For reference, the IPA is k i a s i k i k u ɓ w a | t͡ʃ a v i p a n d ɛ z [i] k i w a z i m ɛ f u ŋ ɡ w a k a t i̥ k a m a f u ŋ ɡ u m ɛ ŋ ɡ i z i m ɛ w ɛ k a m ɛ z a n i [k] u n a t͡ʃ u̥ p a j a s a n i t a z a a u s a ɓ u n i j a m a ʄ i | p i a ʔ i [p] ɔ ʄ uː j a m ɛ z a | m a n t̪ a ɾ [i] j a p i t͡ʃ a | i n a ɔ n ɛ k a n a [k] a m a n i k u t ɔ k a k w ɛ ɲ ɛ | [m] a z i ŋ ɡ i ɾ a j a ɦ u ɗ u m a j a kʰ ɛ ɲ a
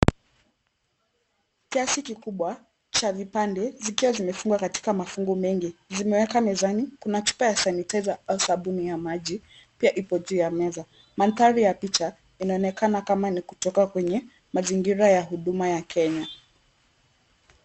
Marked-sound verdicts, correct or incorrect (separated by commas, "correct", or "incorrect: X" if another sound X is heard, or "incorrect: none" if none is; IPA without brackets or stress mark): correct, correct, correct, correct, correct, correct